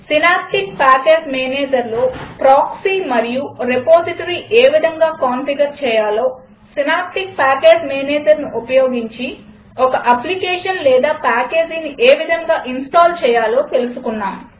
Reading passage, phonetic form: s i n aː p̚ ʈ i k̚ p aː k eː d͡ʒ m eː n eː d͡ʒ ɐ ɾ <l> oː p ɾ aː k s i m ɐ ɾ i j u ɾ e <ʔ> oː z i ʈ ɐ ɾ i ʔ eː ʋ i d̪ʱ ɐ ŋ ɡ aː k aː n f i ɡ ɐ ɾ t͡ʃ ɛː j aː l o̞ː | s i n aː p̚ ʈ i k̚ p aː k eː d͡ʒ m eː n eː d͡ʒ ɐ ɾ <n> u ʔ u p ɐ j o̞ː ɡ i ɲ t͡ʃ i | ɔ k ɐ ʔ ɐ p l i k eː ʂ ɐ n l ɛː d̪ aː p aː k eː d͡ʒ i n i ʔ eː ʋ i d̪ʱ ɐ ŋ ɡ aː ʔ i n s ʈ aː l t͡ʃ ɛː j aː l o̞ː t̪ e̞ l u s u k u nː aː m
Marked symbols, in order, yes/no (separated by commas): yes, no, yes